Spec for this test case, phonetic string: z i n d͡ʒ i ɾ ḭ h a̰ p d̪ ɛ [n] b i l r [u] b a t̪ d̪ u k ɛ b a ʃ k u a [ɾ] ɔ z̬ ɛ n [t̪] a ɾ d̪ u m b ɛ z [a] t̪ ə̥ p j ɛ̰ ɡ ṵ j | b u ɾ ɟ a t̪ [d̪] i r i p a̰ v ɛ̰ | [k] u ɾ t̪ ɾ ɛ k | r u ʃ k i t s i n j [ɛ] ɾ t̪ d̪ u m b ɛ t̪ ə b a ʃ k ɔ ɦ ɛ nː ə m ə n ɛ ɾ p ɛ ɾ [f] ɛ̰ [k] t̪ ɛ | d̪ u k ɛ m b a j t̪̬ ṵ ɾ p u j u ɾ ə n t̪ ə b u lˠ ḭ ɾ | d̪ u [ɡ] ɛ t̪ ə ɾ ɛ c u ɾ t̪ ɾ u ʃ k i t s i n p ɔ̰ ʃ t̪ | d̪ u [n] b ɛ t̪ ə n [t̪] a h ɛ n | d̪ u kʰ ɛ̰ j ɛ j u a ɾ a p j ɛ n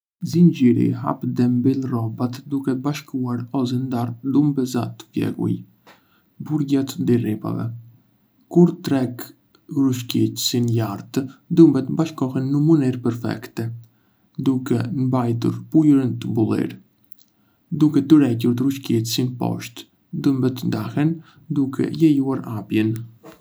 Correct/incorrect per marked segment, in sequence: incorrect, incorrect, correct, incorrect, correct, correct, correct, incorrect, correct, correct, incorrect, incorrect, incorrect

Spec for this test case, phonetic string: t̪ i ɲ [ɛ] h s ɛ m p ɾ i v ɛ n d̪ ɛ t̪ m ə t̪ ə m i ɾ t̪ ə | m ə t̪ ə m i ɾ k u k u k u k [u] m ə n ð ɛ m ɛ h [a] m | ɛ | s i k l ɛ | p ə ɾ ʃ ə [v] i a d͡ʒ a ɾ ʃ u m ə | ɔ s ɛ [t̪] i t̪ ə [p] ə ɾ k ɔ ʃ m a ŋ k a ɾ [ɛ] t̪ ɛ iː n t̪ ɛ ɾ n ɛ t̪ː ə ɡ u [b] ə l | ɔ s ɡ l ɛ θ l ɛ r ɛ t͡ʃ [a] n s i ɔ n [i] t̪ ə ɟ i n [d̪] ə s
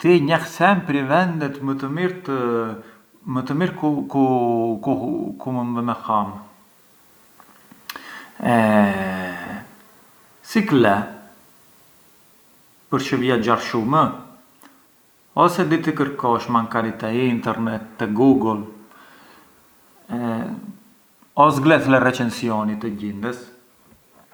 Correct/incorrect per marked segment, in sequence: correct, correct, correct, correct, incorrect, incorrect, incorrect, incorrect, incorrect, correct, correct

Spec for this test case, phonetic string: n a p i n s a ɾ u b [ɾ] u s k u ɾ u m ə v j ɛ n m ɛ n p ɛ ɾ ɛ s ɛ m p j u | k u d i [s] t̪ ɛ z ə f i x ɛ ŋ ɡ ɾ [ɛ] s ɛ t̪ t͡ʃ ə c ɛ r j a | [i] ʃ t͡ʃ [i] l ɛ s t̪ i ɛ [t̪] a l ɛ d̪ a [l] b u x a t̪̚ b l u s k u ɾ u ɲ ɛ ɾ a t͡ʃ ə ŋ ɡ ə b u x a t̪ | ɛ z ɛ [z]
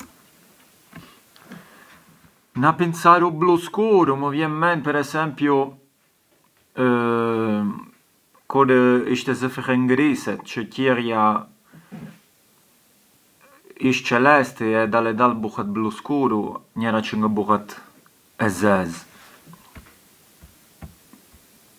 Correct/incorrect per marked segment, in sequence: incorrect, incorrect, incorrect, correct, incorrect, incorrect, correct, correct

